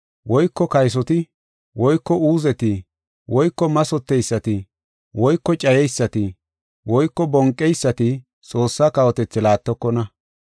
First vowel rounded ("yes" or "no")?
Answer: yes